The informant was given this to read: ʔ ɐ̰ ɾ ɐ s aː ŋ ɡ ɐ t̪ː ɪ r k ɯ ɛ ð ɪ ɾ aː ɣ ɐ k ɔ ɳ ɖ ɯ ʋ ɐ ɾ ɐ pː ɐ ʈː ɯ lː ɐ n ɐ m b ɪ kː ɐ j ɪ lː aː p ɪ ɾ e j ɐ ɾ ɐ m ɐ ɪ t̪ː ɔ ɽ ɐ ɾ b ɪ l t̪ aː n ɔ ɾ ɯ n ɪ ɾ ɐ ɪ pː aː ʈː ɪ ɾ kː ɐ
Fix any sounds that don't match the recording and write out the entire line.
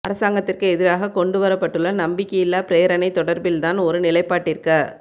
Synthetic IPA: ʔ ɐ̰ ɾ ɐ s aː ŋ ɡ ɐ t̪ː ɪ r k ɯ ɛ ð ɪ ɾ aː ɣ ɐ k ɔ ɳ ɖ ɯ ʋ ɐ ɾ ɐ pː ɐ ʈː ɯ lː ɐ n ɐ m b ɪ kː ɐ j ɪ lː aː p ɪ ɾ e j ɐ ɾ ɐ n ɐ ɪ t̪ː ɔ ɽ ɐ ɾ b ɪ l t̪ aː n ɔ ɾ ɯ n ɪ l ɐ ɪ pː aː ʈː ɪ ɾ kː ɐ